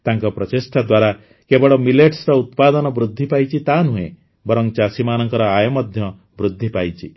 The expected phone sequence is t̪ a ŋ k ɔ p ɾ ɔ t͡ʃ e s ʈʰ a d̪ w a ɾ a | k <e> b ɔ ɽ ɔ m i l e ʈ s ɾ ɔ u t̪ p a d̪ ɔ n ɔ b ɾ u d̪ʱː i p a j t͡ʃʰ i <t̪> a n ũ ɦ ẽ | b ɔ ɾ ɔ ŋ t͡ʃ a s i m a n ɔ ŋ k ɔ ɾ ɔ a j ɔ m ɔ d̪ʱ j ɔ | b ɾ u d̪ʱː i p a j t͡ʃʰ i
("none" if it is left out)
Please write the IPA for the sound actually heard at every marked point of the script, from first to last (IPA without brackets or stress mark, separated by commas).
e, t̪